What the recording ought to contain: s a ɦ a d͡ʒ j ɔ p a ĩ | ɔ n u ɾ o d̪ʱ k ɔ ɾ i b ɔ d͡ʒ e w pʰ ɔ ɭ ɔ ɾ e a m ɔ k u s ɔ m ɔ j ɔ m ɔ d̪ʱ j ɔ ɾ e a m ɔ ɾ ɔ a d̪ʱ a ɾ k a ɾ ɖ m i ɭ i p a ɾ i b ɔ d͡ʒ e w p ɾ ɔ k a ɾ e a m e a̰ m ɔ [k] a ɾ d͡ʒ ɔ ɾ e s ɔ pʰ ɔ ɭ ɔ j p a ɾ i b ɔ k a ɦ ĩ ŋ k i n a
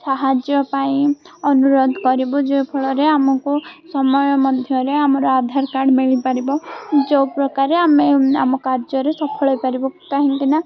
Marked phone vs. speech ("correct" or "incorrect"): correct